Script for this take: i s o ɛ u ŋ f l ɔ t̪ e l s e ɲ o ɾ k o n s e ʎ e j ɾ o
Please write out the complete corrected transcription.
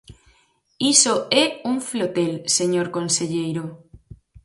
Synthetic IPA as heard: i s o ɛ u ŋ f l o t̪ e l s e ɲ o ɾ k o n s e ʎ e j ɾ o